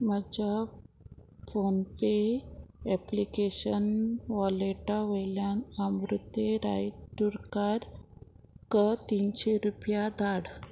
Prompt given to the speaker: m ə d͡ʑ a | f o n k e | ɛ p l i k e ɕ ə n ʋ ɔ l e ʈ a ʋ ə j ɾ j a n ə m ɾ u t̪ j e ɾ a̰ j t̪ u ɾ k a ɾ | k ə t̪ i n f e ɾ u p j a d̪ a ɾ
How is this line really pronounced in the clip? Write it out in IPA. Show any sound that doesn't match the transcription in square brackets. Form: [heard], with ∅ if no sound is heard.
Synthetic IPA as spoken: m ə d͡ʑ a | f o n [p] e | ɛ p l i k e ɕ ə n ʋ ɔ l e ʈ a ʋ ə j [l] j a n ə m ɾ u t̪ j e ɾ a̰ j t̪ u ɾ k a ɾ | k ə t̪ i n [ɕ] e ɾ u p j a d̪ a [ɽ]

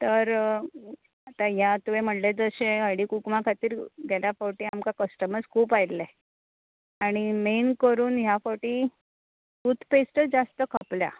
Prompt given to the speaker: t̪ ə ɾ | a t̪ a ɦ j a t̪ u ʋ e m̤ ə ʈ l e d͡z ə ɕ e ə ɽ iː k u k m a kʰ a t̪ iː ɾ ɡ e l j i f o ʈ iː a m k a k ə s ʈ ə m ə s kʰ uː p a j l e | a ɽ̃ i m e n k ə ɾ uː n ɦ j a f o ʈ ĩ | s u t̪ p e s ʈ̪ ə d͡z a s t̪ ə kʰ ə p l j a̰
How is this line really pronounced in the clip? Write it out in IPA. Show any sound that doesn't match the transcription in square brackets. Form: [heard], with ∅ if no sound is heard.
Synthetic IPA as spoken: t̪ ə ɾ | a t̪ a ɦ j a t̪ u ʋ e m̤ ə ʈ l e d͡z ə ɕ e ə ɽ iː k u k m a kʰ a t̪ iː ɾ ɡ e l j [a] f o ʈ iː a m k a k ə s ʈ ə m ə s kʰ uː p a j l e | a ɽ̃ i m e n k ə ɾ uː n ɦ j a f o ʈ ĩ | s u t̪ p e s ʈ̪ ə d͡z a s t̪ ə kʰ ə p l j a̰

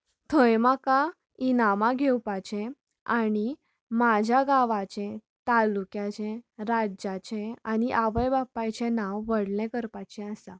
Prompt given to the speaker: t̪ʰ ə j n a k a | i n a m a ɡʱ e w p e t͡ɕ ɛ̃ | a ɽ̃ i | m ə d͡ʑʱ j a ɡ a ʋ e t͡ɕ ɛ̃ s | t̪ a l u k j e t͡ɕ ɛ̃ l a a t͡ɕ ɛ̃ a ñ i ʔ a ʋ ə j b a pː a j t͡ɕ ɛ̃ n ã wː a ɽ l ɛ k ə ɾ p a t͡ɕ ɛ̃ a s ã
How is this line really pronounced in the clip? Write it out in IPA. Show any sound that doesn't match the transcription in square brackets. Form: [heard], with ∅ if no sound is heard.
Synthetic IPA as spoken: t̪ʰ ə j [m] a k a | i n a m a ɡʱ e w p [a] t͡ɕ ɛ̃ | a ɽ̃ i | m [a] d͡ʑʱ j a ɡ a ʋ [a] t͡ɕ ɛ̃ [∅] | t̪ a l u k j [a] t͡ɕ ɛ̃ [ɾ] a a t͡ɕ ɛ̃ a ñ i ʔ a ʋ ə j b a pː a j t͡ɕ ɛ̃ n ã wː [ə] ɽ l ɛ k ə ɾ p a t͡ɕ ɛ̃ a s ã

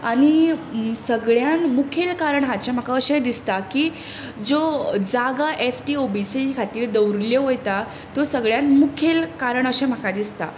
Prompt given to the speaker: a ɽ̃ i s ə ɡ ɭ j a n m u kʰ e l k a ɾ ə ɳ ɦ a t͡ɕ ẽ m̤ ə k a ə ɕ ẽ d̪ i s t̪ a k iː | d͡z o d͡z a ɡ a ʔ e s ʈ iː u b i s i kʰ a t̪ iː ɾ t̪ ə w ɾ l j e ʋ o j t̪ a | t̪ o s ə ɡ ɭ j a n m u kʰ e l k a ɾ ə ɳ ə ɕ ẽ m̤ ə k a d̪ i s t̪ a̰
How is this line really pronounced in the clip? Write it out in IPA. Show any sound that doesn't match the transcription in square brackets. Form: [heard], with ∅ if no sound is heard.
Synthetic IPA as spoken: a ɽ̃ i s ə ɡ ɭ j a n m u kʰ e l k a ɾ ə ɳ ɦ a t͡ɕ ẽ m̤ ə k a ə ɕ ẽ d̪ i s t̪ a k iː | d͡z o d͡z a ɡ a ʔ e s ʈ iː [o] b i s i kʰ a t̪ iː ɾ [d̪] ə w ɾ l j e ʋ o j t̪ a | t̪ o s ə ɡ ɭ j a n m u kʰ e l k a ɾ ə ɳ ə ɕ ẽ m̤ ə k a d̪ i s t̪ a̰

